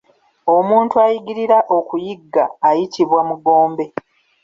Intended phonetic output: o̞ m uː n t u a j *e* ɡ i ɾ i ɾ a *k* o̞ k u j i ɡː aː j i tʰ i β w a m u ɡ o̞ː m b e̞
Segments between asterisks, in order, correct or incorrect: incorrect: i, incorrect: ʔ

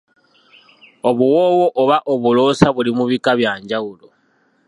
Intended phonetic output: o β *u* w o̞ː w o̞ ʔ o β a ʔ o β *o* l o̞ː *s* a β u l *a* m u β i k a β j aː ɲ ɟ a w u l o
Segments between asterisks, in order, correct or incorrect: correct, incorrect: u, correct, incorrect: i

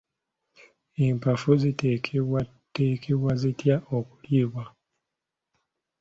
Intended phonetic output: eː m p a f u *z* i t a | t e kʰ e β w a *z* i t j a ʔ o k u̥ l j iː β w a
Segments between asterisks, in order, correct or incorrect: correct, correct

